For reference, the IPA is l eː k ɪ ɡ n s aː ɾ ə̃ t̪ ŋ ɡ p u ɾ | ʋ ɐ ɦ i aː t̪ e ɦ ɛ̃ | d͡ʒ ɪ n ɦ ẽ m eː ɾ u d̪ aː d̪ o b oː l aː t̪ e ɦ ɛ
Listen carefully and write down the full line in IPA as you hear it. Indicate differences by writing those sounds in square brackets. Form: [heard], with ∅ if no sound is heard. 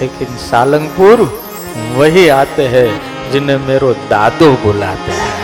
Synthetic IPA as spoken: l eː k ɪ [∅] n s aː [l] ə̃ [∅] ŋ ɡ p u ɾ | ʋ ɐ ɦ i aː t̪ e ɦ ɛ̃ | d͡ʒ ɪ n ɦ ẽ m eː ɾ [o] d̪ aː d̪ o b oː l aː t̪ e ɦ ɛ